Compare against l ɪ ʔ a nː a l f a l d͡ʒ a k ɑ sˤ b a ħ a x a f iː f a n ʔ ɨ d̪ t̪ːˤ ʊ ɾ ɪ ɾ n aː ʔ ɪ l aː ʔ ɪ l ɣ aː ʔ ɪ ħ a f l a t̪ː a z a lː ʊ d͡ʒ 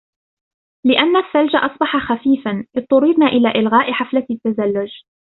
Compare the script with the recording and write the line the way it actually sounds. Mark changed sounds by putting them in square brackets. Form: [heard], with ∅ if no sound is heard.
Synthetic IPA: l ɪ ʔ a nː a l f a l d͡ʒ a [ʔ] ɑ sˤ b [ɑ] ħ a x a f iː f a n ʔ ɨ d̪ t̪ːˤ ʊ ɾ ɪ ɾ n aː ʔ ɪ l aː ʔ ɪ l ɣ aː ʔ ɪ ħ a f l a t̪ː a z a lː ʊ d͡ʒ

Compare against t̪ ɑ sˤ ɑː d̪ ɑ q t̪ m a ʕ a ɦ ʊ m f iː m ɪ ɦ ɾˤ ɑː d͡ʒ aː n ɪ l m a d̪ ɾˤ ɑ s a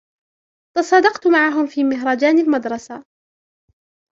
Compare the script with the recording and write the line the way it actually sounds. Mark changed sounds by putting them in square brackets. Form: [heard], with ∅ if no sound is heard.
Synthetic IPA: t̪ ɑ sˤ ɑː d̪ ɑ q t̪ m a ʕ a ɦ ʊ m f iː m ɪ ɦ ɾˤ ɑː d͡ʒ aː n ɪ l m a d̪ ɾˤ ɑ s a

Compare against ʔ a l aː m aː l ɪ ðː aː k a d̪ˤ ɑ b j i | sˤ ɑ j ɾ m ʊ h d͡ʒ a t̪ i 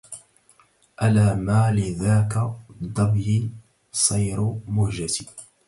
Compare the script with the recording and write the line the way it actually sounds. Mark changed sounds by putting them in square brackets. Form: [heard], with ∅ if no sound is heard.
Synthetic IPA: ʔ a l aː m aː l ɪ [ð] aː k a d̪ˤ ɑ b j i | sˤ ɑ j ɾ m ʊ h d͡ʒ a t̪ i

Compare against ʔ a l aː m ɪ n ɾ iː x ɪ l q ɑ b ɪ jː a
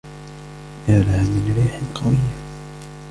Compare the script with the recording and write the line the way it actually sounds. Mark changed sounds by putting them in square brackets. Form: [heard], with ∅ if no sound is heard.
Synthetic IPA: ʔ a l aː m ɪ n ɾ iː [ħ] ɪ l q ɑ [w] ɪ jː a

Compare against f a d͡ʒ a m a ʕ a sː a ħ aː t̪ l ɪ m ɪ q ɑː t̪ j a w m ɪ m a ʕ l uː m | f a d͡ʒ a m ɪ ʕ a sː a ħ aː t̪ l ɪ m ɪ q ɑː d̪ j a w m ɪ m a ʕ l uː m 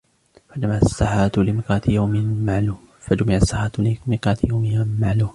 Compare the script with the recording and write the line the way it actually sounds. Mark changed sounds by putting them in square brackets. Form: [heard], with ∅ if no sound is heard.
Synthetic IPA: f a d͡ʒ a m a ʕ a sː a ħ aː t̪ l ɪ m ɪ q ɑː t̪ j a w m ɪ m a ʕ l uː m | f a d͡ʒ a m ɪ ʕ a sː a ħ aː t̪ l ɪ m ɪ q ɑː [t̪] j a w m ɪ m a ʕ l uː m

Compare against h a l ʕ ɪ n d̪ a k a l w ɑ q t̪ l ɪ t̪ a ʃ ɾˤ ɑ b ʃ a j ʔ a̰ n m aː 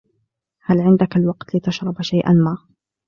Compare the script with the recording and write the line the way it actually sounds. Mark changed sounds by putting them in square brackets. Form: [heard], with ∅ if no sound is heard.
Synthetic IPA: h a l ʕ ɪ n d̪ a k a l w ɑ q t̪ l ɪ t̪ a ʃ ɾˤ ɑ b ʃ a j ʔ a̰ n m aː

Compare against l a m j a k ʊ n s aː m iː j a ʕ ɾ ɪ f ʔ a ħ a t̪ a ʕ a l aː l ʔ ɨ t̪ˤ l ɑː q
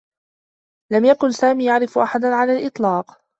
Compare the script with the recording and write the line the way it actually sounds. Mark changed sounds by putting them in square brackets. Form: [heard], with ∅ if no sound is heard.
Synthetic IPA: l a m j a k ʊ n s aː m iː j a ʕ ɾ ɪ f ʔ a ħ a [d̪] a ʕ a l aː l ʔ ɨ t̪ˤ l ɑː q

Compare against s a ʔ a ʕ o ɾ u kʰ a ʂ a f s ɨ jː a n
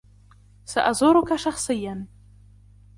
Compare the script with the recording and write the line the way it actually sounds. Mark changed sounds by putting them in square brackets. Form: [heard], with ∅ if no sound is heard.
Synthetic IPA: s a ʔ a [z] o ɾ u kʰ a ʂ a [χ] s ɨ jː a n

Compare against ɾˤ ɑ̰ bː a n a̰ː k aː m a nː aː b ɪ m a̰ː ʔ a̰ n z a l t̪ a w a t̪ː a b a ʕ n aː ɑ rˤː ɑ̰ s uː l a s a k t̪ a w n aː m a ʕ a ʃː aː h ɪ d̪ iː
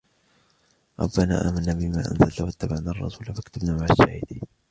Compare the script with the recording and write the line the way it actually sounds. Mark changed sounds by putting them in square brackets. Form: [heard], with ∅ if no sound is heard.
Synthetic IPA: ɾˤ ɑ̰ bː a n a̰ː [ʔ] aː m a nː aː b ɪ m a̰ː ʔ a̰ n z a l t̪ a w a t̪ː a b a ʕ n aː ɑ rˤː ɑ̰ s uː l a [f] a k t̪ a [b] n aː m a ʕ a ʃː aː h ɪ d̪ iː

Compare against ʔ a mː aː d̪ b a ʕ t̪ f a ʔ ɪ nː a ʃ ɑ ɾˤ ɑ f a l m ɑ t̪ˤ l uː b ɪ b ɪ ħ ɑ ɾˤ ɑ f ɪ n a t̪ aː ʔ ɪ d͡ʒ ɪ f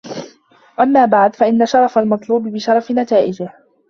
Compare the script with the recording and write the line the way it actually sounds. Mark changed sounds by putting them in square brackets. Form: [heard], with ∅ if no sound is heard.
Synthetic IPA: ʔ a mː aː [∅] b a ʕ [d̪] f a ʔ ɪ nː a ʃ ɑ ɾˤ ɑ f a l m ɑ t̪ˤ l uː b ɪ b ɪ [ʃ] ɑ ɾˤ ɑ f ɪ n a t̪ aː ʔ ɪ d͡ʒ ɪ [h]

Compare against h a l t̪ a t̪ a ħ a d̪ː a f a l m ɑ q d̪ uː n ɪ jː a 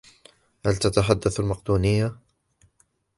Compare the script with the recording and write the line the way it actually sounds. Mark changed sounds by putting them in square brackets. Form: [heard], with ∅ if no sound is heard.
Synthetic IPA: h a l t̪ a t̪ a ħ a d̪ː a [θ] a l m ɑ q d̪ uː n ɪ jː a

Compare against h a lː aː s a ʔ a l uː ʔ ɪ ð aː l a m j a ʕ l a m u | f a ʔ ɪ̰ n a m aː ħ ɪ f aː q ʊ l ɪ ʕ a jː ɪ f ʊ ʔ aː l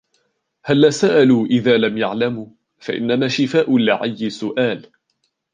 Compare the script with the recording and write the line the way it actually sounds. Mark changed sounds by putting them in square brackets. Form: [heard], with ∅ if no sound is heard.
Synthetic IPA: h a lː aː s a ʔ a l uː ʔ ɪ ð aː l a m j a ʕ l a m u | f a ʔ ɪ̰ [nː] a m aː [ʃ] ɪ f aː [ʔ] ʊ l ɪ ʕ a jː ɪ [s] ʊ ʔ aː l

